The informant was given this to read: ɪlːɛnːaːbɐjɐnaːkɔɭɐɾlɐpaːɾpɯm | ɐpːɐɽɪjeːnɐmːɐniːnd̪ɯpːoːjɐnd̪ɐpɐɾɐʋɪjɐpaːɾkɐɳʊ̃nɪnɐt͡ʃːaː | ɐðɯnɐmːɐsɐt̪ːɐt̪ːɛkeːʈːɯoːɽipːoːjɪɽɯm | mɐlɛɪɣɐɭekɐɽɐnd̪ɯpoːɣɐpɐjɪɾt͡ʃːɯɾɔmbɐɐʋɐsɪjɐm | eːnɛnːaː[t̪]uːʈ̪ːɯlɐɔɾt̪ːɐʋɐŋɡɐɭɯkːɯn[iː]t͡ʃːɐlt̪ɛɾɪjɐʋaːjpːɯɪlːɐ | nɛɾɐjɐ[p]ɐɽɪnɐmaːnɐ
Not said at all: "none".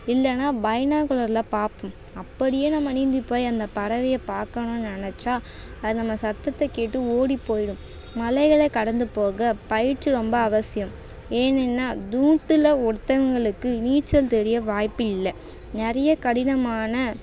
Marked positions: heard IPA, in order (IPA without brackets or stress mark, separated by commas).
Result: d̪, iː, k